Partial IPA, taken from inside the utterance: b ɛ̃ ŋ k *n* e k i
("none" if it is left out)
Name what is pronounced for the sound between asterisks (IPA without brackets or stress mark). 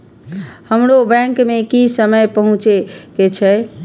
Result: m